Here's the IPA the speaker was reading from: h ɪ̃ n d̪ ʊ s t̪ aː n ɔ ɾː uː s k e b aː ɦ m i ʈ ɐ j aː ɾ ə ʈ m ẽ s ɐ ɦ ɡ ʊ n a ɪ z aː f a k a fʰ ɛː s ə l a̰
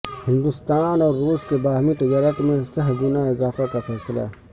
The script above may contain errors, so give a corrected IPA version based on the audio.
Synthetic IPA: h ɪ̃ n d̪ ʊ s t̪ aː n ɔː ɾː uː s k e b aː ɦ m i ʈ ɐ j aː ɾ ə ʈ m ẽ s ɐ ɦ ɡ ʊ n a ɪ z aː f a k a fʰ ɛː s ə l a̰